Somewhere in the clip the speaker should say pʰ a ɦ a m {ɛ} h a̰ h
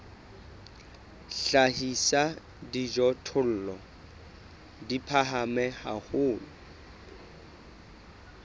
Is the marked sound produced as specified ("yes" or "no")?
yes